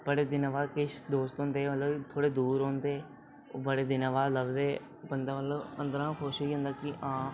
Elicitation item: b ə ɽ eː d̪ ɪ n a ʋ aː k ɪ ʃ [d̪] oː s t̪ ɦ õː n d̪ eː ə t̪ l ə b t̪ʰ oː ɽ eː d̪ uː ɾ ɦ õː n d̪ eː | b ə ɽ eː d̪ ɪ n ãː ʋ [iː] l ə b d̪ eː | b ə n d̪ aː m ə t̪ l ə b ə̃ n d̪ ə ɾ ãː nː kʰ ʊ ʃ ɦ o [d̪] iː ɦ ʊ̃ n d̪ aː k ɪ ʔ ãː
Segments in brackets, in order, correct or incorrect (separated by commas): correct, incorrect, incorrect